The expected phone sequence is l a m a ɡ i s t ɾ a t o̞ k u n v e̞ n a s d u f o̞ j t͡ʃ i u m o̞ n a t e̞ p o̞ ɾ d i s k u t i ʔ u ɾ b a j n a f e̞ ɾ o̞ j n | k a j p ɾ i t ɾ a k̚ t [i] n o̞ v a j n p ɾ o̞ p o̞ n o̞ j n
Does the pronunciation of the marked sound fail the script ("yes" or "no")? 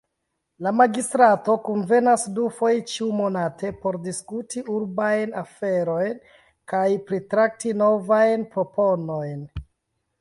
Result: no